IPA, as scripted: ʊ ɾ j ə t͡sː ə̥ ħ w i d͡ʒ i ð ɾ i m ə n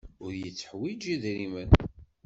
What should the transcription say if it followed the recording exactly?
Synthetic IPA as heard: ʊ ɾ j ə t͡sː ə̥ ħ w i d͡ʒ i ð ɾ i m ə n